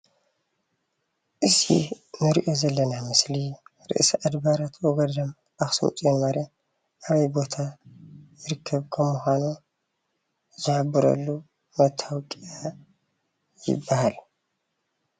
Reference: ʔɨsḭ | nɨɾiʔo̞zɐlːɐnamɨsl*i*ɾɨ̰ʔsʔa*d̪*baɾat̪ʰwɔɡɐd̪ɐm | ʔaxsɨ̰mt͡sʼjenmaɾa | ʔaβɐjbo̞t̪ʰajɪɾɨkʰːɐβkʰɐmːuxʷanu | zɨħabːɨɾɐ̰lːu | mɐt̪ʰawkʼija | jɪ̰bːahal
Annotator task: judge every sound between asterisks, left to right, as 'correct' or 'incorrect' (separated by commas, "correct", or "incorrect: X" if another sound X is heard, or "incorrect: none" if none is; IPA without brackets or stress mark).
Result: correct, correct